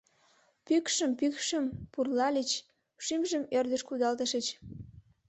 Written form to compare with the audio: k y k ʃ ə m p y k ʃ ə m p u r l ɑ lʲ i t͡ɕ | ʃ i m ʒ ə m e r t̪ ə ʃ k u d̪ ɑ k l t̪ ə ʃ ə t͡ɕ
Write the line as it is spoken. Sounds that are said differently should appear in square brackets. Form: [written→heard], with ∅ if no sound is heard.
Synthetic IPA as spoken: [k→p] y k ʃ ə m p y k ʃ ə m p u r l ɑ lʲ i t͡ɕ | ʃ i m ʒ ə m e r [t̪→d̪] ə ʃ k u d̪ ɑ [k→∅] l t̪ ə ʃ ə t͡ɕ

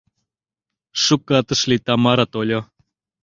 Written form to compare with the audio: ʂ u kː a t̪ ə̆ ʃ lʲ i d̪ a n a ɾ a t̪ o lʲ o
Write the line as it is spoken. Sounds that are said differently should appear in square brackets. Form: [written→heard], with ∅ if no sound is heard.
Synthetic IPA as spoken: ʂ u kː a t̪ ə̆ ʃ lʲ i [d̪→t̪] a [n→m] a ɾ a t̪ o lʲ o

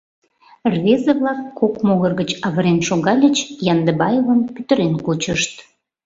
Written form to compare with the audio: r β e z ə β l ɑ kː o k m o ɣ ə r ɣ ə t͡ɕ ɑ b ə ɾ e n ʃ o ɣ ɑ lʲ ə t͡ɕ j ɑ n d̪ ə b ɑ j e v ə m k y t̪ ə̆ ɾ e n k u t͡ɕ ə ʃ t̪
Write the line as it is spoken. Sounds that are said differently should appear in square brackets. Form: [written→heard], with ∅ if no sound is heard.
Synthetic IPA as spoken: r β e z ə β l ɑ kː o k m o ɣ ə r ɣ ə t͡ɕ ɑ [b→β] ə ɾ e n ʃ o ɣ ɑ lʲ ə t͡ɕ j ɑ n d̪ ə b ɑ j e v ə m [k→p] y t̪ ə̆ ɾ e n k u t͡ɕ ə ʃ t̪

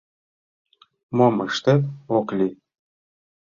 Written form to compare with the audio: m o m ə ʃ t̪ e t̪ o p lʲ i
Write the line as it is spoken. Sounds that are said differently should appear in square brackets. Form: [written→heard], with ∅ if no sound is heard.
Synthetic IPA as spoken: m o m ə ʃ t̪ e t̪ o [p→k] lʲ i

